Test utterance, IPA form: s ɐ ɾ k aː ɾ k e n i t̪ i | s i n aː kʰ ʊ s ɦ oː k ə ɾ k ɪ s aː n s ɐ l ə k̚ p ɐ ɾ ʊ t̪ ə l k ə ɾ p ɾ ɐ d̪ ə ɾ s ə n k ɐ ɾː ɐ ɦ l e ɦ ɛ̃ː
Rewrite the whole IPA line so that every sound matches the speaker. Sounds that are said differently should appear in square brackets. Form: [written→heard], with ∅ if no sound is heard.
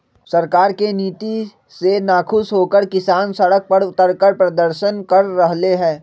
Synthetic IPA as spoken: s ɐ ɾ k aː ɾ k e n [i→iː] t̪ i | s [i→e] n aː kʰ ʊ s ɦ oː k ə ɾ k ɪ s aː n s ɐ [l→ɽ] ə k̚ p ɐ ɾ ʊ t̪ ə [l→ɾ] k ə ɾ p ɾ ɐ d̪ ə ɾ [s→ʃ] ə n k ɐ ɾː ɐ ɦ l e ɦ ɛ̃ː